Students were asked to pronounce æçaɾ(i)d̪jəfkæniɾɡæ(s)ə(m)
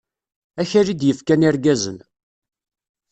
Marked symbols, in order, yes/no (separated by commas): yes, no, no